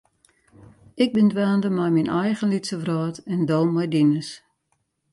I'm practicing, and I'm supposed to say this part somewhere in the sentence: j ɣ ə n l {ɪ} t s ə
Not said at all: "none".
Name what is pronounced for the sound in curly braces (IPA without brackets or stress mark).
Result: i